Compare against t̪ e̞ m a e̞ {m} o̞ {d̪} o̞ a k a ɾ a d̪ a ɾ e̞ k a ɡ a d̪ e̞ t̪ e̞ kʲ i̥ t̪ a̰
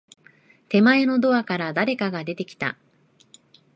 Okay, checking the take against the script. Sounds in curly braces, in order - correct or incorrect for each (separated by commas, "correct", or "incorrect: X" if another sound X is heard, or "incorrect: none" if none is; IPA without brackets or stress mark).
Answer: incorrect: n, correct